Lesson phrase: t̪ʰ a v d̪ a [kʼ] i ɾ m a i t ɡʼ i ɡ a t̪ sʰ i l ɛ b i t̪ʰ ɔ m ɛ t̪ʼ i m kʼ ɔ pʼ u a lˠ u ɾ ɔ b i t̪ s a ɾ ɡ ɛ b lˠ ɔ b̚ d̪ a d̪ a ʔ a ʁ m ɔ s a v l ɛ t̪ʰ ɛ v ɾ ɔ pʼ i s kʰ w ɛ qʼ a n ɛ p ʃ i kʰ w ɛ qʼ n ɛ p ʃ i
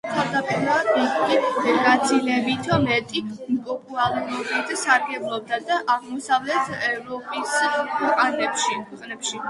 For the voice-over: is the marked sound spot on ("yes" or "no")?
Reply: no